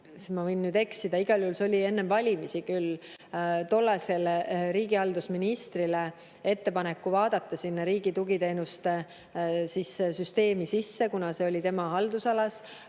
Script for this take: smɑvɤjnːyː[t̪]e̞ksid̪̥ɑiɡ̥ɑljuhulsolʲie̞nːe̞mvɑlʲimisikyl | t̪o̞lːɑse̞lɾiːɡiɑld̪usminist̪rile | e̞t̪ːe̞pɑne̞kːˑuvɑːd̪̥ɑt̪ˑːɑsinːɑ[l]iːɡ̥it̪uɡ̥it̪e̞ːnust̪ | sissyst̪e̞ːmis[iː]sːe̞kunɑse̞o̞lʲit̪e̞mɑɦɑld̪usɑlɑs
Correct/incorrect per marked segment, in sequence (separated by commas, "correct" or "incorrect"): incorrect, incorrect, incorrect